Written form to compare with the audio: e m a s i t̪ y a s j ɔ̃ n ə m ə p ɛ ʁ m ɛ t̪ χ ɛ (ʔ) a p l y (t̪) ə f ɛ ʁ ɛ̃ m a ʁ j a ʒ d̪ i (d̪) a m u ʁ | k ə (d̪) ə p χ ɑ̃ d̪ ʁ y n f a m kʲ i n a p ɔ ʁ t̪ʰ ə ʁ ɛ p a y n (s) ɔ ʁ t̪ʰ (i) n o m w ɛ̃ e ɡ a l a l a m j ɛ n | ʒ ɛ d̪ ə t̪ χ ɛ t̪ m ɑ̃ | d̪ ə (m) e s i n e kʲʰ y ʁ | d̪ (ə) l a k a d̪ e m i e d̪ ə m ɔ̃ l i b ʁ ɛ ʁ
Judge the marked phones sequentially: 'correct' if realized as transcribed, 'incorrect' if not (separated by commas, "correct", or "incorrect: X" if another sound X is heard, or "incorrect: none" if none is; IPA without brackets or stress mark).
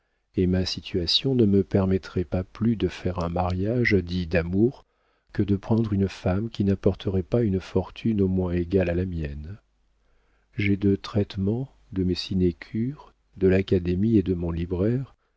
incorrect: p, incorrect: d̪, correct, correct, incorrect: f, incorrect: y, correct, correct